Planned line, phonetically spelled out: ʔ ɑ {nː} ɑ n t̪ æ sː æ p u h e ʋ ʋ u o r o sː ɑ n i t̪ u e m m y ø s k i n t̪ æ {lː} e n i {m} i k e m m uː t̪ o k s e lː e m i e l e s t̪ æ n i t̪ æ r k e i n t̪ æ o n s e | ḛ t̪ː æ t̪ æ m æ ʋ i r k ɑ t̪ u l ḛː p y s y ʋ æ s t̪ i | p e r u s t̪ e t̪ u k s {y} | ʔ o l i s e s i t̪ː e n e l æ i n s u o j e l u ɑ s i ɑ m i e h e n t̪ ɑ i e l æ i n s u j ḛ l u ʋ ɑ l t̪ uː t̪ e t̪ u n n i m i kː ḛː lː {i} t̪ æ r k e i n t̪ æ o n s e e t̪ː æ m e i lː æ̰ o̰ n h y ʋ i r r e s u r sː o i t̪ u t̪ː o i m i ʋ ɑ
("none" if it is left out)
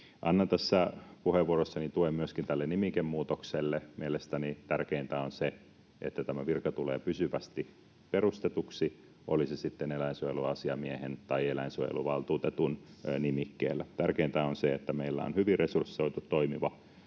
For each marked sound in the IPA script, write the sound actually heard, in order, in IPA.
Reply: nː, lː, m, i, æ

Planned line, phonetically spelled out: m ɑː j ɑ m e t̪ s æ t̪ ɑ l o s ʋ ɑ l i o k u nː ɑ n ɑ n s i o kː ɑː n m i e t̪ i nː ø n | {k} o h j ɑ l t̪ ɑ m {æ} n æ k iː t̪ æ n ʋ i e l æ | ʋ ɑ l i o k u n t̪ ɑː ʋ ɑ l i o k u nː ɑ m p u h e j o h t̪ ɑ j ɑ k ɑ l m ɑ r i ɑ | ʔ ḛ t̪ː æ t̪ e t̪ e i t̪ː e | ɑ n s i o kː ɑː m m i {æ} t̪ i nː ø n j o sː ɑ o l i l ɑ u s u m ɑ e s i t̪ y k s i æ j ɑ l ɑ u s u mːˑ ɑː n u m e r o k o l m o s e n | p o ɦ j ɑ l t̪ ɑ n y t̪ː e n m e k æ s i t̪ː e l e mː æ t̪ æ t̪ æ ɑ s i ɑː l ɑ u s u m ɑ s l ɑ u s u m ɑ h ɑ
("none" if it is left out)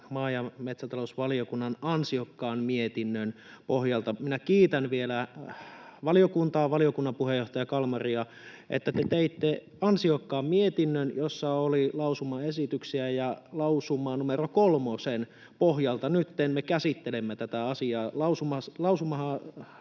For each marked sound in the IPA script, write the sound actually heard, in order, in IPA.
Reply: p, i, e

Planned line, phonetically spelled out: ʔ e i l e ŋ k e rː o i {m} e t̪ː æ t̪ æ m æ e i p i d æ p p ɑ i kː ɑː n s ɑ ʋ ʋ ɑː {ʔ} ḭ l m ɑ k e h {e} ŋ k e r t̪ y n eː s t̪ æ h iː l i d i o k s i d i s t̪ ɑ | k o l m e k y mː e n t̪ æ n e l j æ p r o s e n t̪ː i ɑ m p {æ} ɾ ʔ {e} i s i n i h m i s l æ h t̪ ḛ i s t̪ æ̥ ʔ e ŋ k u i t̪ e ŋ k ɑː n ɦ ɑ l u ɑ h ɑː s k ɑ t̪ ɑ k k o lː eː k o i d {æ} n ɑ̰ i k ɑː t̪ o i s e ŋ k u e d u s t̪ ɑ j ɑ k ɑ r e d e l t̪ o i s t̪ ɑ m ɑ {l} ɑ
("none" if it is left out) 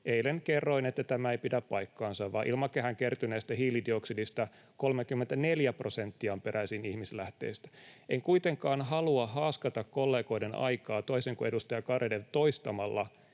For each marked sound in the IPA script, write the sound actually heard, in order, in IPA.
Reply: n, ʔ, æ, e, æ, e, lː

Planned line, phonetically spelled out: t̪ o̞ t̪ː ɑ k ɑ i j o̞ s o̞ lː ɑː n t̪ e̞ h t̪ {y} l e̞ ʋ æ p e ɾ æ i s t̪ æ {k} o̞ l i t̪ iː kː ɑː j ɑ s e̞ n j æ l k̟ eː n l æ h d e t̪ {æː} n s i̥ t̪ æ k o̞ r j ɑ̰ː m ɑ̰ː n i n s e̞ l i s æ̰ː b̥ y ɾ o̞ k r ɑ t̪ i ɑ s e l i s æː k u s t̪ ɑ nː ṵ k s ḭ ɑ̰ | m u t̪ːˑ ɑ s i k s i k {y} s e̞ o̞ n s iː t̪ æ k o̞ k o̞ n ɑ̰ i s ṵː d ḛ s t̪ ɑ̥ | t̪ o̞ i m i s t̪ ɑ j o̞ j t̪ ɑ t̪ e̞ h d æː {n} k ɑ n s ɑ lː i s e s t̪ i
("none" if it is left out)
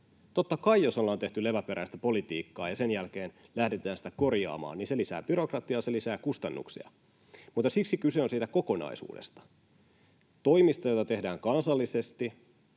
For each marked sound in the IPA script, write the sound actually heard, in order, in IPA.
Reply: y, p, æː, y, ŋ

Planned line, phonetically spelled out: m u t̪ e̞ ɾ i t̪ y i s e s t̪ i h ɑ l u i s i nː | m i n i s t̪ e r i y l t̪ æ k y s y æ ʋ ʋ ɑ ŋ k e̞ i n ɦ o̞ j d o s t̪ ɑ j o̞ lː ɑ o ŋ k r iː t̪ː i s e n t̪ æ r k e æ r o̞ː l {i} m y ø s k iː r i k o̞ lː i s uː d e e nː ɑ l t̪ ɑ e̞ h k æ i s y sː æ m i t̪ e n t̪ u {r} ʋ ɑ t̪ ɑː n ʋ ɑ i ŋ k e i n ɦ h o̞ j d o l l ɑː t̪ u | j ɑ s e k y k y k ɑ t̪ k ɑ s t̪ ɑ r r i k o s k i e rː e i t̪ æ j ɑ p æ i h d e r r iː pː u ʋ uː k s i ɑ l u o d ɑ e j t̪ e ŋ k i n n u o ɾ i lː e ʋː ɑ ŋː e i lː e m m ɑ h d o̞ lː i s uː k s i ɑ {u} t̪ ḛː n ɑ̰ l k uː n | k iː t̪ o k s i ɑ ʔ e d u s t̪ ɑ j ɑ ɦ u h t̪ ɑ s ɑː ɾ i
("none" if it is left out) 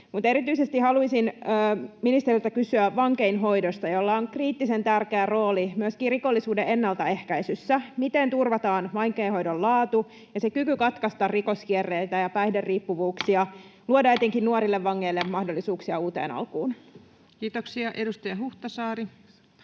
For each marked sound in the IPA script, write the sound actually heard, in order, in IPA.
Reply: i, r, uː

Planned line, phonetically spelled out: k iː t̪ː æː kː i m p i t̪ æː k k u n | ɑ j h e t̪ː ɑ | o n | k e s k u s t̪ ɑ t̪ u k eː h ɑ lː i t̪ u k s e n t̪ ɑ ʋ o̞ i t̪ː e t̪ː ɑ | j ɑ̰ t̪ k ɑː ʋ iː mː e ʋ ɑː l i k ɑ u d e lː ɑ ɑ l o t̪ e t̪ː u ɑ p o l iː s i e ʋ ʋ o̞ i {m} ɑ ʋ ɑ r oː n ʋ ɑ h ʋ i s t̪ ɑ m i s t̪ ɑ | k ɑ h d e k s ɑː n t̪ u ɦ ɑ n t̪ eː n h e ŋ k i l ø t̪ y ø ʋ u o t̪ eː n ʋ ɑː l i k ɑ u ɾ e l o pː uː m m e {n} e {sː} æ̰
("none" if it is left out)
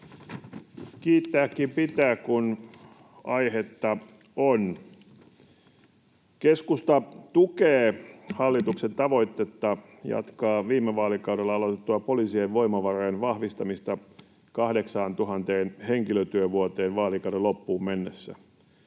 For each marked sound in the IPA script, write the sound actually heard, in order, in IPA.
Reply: m, nː, sː

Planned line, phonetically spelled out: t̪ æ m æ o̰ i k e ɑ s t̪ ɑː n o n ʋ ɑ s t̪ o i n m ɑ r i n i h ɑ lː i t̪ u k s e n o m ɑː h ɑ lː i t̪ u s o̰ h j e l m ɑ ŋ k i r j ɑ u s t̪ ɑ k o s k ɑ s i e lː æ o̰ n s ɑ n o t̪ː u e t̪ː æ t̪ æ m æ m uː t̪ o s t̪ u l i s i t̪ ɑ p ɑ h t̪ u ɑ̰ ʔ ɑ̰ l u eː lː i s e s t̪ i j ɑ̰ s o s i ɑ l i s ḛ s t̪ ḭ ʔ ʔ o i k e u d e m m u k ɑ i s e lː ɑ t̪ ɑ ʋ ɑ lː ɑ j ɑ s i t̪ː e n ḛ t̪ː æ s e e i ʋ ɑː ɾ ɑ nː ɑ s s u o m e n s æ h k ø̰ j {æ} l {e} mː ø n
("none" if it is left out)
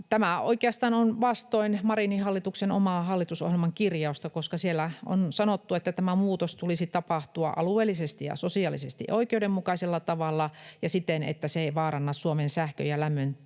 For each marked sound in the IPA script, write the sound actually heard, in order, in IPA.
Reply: æ, æ

